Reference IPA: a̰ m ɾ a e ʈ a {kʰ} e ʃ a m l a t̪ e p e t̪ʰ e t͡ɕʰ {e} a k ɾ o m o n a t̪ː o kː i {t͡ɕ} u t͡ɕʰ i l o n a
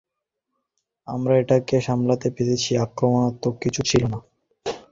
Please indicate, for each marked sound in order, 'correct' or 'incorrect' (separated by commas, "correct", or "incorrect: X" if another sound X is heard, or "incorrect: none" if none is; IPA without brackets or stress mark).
incorrect: k, incorrect: i, incorrect: t͡ɕʰ